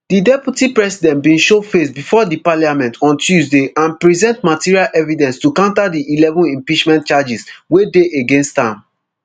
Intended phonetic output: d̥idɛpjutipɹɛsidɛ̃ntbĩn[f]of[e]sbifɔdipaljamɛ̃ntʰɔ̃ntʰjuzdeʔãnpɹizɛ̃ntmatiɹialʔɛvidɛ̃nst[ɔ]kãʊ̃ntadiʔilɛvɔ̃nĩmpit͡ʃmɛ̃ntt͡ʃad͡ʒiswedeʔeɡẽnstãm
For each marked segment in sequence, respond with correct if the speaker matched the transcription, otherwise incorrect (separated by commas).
incorrect, correct, incorrect